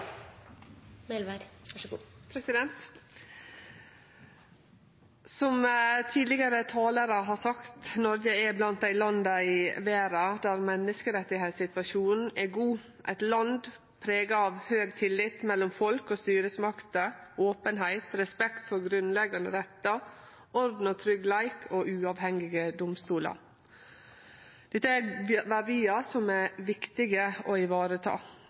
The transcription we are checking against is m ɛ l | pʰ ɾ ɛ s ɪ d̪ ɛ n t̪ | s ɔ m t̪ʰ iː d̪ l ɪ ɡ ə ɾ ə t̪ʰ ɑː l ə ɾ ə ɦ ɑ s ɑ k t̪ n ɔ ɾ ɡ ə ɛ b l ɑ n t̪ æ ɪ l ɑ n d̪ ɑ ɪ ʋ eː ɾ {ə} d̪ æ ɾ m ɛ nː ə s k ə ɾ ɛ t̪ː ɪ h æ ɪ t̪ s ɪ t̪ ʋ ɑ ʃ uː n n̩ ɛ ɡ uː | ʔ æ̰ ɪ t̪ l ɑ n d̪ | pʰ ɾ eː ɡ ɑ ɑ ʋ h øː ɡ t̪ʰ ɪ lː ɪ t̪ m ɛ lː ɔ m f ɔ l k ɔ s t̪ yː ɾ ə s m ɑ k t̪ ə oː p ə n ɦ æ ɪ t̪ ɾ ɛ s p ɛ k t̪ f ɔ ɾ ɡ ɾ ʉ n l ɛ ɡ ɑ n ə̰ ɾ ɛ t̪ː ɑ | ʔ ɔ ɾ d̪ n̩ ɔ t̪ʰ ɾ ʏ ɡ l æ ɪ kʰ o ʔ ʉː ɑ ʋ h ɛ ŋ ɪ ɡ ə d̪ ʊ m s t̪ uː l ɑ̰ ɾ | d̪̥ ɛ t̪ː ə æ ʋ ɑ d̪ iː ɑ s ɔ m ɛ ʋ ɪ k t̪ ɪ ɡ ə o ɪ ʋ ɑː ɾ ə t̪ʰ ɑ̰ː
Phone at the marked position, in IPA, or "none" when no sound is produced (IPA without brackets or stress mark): ɑ